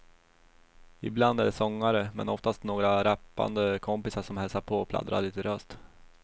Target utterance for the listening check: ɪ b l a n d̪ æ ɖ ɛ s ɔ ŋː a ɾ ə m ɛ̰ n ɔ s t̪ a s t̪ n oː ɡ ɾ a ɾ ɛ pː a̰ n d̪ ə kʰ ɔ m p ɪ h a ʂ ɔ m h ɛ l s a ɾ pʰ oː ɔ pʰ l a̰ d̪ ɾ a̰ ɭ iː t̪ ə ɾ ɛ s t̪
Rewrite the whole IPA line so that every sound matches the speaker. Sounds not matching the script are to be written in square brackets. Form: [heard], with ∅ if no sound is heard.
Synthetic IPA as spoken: ɪ b l a n d̪ æ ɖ ɛ s ɔ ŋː a ɾ ə m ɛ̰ n ɔ [f] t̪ a s t̪ n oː ɡ ɾ a ɾ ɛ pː a̰ n d̪ ə kʰ ɔ m p ɪ [s] a ʂ ɔ m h ɛ l s a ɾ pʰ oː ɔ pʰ l a̰ d̪ ɾ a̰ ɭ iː t̪ ə ɾ [œ] s t̪